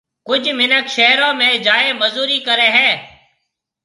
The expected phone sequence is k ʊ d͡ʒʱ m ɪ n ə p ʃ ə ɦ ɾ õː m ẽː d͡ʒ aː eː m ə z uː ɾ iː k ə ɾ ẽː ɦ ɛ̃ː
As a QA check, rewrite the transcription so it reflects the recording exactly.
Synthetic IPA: k ʊ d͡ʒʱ m ɪ n ə k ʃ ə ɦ ɾ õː m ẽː d͡ʒ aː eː m ə z uː ɾ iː k ə ɾ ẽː ɦ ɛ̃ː